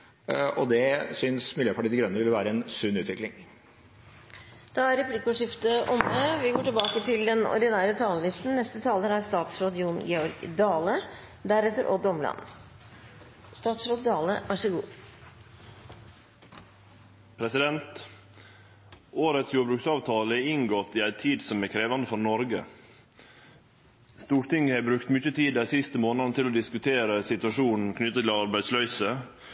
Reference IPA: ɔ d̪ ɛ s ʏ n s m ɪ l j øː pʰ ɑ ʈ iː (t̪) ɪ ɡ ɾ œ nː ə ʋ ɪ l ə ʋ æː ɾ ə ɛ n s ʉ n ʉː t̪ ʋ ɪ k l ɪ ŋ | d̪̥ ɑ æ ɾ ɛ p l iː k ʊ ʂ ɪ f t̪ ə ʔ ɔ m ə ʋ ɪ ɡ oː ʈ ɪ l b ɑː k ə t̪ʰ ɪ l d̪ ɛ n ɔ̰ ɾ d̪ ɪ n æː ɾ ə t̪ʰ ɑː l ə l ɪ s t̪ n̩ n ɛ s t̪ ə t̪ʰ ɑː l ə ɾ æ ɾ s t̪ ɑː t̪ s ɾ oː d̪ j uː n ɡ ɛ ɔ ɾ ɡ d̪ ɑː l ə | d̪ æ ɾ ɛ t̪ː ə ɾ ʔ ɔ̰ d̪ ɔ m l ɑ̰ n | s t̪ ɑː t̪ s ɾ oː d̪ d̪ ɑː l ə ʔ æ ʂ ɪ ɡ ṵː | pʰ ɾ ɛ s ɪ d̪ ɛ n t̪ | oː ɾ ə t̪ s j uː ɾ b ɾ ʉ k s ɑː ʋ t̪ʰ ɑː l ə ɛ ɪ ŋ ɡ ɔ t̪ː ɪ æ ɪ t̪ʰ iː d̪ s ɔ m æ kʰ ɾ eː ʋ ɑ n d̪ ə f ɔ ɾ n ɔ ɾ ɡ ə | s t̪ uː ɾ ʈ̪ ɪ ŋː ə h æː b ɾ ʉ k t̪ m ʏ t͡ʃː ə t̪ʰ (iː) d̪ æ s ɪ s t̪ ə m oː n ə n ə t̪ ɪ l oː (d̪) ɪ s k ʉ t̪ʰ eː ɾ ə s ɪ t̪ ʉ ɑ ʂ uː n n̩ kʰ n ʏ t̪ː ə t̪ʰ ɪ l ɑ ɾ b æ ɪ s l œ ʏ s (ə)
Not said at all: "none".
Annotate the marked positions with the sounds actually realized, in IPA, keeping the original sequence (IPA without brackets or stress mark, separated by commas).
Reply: d̪, iː, d̪, ə